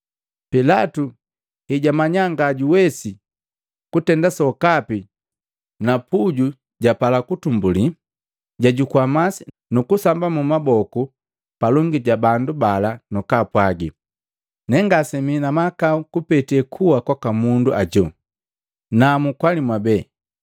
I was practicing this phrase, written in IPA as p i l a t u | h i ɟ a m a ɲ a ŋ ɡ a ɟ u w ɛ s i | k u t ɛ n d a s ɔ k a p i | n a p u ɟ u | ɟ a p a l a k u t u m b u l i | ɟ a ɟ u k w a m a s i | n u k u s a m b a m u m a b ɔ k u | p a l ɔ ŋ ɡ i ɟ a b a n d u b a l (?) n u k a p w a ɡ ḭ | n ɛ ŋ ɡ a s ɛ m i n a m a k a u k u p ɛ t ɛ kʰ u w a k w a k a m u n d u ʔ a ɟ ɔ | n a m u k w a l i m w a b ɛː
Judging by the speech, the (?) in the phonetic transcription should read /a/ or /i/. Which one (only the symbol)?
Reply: a